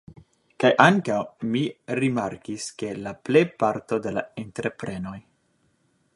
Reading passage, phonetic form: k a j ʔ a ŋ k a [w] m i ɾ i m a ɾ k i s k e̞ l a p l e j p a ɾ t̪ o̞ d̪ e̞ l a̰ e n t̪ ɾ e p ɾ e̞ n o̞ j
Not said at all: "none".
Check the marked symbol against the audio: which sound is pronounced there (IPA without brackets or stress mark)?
w